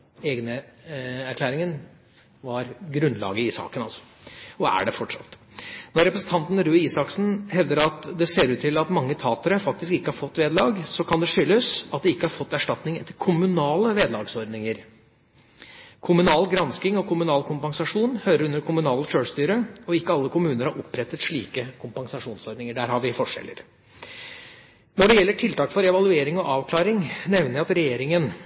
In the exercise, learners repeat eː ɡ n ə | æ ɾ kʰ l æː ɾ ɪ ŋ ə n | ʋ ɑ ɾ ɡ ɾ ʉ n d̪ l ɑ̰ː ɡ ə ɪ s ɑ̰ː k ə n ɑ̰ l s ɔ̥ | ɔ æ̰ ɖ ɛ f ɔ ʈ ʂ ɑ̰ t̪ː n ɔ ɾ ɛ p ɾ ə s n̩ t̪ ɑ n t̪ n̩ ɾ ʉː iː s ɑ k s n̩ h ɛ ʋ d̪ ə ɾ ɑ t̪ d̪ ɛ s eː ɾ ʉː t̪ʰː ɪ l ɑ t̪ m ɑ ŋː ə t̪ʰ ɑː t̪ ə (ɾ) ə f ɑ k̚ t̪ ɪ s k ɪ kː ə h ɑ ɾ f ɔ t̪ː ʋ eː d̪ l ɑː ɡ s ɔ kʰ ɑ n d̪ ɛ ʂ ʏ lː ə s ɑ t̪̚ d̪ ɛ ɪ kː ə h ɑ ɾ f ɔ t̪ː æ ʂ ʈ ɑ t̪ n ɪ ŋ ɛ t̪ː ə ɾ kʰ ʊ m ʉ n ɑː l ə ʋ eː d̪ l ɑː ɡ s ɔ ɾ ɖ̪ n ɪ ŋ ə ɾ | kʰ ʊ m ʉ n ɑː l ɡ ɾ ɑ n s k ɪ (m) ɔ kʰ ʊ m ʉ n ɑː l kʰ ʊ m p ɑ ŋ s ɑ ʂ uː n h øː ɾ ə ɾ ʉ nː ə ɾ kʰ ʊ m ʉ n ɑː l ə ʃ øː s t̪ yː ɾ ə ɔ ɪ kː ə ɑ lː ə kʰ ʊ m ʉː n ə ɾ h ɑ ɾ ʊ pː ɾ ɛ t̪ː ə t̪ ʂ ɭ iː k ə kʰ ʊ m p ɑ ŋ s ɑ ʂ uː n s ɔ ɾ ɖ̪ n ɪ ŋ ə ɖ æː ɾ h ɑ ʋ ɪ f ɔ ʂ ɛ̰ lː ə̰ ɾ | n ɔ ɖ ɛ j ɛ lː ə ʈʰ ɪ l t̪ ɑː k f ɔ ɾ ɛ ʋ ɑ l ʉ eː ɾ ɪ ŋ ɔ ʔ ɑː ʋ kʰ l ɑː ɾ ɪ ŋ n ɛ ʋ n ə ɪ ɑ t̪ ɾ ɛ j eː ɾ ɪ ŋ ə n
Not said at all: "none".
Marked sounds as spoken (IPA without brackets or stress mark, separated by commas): ɾ, ŋ